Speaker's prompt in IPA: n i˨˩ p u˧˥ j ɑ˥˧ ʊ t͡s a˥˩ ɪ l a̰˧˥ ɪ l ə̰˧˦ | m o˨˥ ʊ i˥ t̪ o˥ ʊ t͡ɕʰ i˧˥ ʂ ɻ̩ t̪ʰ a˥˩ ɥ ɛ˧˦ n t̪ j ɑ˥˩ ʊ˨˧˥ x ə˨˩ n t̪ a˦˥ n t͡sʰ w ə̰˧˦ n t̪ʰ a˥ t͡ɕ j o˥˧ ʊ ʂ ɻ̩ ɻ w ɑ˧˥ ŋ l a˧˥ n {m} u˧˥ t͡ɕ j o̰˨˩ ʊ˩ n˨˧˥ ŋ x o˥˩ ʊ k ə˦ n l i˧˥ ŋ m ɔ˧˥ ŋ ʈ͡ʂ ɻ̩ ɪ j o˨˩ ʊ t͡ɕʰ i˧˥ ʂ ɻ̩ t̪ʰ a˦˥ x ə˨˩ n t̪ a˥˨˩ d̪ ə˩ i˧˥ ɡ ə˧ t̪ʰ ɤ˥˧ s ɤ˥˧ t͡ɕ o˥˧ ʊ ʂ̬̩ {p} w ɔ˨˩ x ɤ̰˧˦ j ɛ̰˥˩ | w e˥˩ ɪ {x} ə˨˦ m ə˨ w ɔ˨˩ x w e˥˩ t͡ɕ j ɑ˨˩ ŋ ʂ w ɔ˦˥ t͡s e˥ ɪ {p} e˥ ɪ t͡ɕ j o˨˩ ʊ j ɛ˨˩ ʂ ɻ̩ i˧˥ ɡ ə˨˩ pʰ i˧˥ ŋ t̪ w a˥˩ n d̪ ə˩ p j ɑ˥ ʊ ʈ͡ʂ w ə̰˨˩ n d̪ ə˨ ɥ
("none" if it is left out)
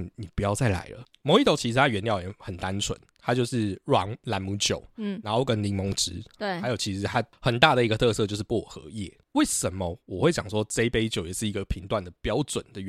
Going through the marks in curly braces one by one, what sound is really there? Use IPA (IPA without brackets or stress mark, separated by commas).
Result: m, p, ʂ, p